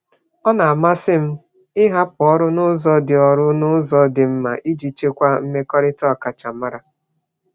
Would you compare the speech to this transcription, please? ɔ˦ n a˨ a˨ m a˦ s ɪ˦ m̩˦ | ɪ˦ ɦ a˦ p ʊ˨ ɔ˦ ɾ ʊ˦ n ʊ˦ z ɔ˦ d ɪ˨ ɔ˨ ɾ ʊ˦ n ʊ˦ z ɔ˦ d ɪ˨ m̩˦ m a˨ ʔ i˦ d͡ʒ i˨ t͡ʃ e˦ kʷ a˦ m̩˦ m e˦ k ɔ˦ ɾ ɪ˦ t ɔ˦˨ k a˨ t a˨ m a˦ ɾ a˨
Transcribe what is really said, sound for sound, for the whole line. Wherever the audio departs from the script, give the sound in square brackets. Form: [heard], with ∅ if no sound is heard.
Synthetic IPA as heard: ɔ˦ n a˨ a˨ m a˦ s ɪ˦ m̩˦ | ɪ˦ ɦ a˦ p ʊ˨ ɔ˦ ɾ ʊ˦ n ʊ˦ z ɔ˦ d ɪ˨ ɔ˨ ɾ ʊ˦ n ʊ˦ z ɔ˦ d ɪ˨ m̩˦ m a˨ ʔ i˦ d͡ʒ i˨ t͡ʃ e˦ kʷ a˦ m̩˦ m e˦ k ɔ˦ ɾ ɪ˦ t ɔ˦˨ k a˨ [t͡ʃ] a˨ m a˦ ɾ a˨

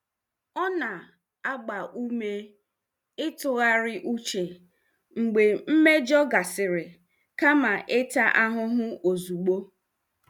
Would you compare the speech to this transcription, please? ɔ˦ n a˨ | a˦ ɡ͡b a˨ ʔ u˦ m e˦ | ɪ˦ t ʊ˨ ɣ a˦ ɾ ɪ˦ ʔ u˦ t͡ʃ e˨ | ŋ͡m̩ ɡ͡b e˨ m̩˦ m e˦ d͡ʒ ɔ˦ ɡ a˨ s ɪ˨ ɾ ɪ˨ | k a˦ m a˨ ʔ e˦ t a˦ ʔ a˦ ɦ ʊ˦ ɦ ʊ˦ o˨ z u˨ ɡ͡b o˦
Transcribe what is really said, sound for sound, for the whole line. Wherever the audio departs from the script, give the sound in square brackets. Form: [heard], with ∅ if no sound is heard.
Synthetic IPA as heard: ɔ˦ n a˨ | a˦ ɡ͡b a˨ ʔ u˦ m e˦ | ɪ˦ t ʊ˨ ɣ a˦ ɾ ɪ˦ ʔ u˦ t͡ʃ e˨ | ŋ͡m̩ ɡ͡b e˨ m̩˦ m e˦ d͡ʒ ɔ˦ ɡ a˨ s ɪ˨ ɾ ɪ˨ | k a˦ m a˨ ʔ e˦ t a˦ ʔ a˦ ɦ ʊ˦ ɦ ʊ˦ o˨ z u˨ ɡ͡b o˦

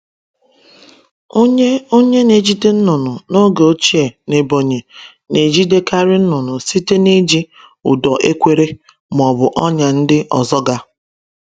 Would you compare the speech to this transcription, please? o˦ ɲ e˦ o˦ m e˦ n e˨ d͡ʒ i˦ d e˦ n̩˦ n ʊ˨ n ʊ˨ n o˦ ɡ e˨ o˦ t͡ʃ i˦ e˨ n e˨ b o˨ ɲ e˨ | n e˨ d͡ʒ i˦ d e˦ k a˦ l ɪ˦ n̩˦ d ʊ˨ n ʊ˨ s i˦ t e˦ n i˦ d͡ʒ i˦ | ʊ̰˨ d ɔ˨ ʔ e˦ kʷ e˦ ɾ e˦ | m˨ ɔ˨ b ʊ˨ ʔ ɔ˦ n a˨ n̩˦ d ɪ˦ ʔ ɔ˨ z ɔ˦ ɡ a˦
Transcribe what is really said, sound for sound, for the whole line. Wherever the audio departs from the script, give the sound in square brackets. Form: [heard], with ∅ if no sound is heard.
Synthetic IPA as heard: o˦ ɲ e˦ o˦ [ɲ] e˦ n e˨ d͡ʒ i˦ d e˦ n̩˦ n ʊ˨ n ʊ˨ n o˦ ɡ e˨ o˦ t͡ʃ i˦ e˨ n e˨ b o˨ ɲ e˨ | n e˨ d͡ʒ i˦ d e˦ k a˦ [ɾ] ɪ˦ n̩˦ [n] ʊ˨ n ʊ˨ s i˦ t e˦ n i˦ d͡ʒ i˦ | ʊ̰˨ d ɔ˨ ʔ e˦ kʷ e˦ ɾ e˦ | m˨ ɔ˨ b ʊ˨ ʔ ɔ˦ [ɲ] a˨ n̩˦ d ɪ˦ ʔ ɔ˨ z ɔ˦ ɡ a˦

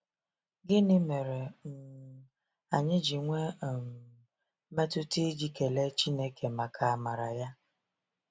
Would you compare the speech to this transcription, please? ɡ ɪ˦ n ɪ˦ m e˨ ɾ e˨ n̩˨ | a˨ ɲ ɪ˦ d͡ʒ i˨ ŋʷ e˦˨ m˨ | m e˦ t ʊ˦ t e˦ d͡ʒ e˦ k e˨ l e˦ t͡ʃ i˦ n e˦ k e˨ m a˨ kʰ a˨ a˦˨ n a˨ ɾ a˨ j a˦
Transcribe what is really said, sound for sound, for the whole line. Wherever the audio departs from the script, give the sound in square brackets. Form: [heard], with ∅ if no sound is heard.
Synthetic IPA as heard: ɡ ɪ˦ n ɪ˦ m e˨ ɾ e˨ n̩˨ | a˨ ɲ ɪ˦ d͡ʒ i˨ ŋʷ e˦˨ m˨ | m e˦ t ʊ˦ t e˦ d͡ʒ [i˦] k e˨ l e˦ t͡ʃ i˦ n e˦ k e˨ m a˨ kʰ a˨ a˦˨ [m] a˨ ɾ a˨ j a˦

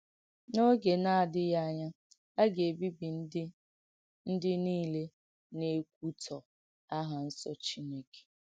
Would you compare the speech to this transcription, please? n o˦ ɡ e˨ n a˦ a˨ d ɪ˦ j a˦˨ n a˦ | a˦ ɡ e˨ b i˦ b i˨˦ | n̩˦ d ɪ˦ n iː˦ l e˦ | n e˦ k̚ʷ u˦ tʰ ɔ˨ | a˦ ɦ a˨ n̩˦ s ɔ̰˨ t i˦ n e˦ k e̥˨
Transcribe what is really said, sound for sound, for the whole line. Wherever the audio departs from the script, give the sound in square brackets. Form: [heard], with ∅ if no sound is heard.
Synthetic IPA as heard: n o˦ ɡ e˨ n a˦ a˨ d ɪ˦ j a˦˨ [ɲ] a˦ | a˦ ɡ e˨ b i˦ b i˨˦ | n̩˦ d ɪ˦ n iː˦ l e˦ | n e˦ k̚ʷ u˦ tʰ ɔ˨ | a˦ ɦ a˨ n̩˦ s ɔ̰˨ [t͡ʃ] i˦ n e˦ k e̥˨

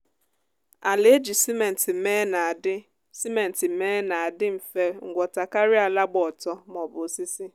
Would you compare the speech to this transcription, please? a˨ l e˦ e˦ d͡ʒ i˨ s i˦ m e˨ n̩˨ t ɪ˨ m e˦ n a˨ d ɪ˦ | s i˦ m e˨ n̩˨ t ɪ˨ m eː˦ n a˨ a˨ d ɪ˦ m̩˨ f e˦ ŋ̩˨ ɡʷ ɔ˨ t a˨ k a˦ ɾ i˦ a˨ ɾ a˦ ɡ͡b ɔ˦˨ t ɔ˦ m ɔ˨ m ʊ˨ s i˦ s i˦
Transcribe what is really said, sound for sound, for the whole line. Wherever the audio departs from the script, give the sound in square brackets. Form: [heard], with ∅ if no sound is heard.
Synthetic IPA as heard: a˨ l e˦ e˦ d͡ʒ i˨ s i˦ m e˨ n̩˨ t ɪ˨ m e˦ n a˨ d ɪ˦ | s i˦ m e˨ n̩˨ t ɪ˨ m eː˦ n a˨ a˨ d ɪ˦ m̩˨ f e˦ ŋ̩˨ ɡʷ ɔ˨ t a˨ k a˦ ɾ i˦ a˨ [l] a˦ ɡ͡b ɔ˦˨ t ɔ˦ m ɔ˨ [b] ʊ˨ s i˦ s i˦

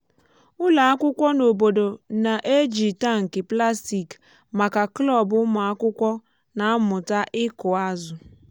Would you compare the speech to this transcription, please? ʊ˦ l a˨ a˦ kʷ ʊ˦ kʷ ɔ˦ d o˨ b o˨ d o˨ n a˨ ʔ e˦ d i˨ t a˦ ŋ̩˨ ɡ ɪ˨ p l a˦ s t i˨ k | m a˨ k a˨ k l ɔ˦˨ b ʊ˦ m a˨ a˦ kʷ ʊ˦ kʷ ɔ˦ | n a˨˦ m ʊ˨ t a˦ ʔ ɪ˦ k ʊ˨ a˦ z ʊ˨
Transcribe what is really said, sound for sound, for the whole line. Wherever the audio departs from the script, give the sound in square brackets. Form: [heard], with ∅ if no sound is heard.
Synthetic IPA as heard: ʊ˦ l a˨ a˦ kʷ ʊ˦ kʷ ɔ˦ [n] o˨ b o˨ d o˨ n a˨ ʔ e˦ [d͡ʒ] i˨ t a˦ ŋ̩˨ [k] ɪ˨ p l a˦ s t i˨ k | m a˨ k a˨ k l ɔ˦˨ b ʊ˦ m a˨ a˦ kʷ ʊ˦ kʷ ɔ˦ | n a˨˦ m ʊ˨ t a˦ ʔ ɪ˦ k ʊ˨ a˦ z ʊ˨

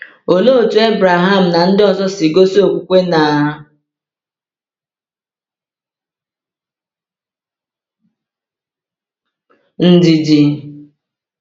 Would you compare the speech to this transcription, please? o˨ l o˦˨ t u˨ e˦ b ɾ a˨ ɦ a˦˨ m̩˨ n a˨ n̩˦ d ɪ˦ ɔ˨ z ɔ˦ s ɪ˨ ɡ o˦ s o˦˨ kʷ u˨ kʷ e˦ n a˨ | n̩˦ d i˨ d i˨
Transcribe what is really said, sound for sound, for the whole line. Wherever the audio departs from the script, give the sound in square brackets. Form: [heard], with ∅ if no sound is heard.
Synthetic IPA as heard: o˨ l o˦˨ t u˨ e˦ b ɾ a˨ ɦ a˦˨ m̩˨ n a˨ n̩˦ d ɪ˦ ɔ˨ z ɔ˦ s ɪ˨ ɡ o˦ s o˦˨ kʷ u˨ kʷ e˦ n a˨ | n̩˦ d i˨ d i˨

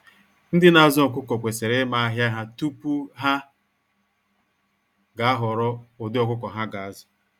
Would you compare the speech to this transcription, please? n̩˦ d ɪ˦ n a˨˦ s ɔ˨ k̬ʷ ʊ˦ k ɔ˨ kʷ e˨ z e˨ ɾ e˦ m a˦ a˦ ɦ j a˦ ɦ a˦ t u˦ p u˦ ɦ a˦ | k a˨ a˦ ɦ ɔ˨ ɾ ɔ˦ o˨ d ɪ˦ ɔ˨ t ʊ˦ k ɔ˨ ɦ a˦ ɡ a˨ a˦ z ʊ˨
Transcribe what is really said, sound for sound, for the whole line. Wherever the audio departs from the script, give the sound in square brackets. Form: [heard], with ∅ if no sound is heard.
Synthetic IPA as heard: n̩˦ d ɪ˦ n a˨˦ [z] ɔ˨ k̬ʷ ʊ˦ k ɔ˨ kʷ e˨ [s] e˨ ɾ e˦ m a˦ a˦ ɦ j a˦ ɦ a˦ t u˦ p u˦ ɦ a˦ | [ɡ] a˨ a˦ ɦ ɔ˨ ɾ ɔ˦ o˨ d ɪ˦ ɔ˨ [k] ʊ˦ k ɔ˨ ɦ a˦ ɡ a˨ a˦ z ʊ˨

